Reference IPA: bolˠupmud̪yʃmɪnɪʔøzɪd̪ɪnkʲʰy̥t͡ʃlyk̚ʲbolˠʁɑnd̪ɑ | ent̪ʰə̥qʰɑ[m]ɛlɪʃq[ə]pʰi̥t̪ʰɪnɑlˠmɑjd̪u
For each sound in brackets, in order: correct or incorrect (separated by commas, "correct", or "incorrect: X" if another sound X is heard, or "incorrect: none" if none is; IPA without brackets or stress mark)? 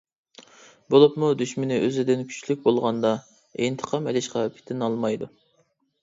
correct, incorrect: ɑ